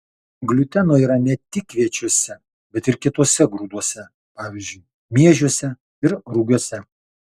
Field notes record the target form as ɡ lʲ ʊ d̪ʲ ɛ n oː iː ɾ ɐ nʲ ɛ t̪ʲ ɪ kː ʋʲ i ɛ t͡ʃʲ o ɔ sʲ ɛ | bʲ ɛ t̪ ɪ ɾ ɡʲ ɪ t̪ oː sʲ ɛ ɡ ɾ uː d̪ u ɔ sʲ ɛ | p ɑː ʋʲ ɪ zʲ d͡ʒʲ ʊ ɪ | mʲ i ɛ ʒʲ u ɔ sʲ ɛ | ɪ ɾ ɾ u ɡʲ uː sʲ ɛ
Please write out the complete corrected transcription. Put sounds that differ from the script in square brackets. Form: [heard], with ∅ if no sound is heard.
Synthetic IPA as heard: ɡ lʲ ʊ [t̪ʲ] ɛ n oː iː ɾ ɐ nʲ ɛ t̪ʲ ɪ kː ʋʲ i ɛ t͡ʃʲ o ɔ sʲ ɛ | bʲ ɛ t̪ ɪ ɾ [kʲ] ɪ t̪ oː sʲ ɛ ɡ ɾ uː d̪ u ɔ sʲ ɛ | p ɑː ʋʲ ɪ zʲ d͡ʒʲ ʊ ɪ | mʲ i ɛ ʒʲ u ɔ sʲ ɛ | ɪ ɾ ɾ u ɡʲ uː sʲ ɛ